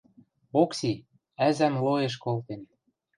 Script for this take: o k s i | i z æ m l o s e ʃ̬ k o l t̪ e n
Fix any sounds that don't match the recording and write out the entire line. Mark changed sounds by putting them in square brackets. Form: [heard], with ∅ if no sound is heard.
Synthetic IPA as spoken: o k s i | [æ] z æ m l o [∅] e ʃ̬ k o l t̪ e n